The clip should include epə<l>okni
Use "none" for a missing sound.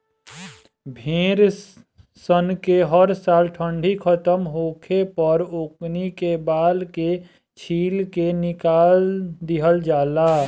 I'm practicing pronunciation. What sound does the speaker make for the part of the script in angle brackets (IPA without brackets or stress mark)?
ɾ